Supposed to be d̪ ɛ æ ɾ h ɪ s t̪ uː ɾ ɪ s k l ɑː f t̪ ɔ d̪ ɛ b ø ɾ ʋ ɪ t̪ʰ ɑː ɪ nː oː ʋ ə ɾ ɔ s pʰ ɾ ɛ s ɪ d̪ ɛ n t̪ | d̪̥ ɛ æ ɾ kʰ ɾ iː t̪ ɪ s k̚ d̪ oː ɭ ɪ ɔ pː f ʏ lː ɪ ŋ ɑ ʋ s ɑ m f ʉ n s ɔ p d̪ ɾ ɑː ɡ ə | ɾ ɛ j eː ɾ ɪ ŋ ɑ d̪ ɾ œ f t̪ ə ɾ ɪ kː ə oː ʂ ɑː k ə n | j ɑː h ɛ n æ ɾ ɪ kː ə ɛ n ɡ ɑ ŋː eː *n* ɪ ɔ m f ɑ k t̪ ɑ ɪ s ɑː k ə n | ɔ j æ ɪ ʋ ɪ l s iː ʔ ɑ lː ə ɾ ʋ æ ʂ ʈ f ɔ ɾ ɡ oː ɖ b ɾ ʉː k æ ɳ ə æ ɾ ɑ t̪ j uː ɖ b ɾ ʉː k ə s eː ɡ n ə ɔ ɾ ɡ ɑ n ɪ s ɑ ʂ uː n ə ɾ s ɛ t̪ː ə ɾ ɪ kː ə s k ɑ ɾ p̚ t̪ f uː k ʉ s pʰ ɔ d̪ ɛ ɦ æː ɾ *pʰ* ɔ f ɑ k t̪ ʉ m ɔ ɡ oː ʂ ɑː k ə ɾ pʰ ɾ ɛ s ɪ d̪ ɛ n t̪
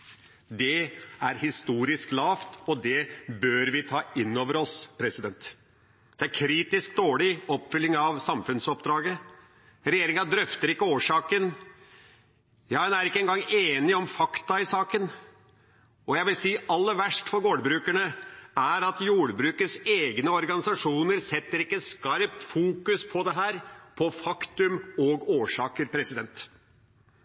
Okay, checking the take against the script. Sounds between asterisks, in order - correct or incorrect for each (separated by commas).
correct, correct